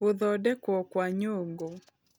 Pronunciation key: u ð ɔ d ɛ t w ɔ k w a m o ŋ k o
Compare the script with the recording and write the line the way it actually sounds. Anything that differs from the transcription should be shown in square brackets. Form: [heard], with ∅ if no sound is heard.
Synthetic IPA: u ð ɔ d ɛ [k] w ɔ k w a [ɲ] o ŋ [ɡ] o